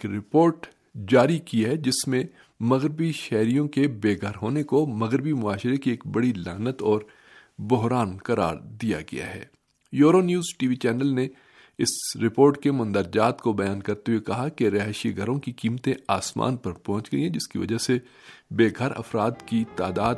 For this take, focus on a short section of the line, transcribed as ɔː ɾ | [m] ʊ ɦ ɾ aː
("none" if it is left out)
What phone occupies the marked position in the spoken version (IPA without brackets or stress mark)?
b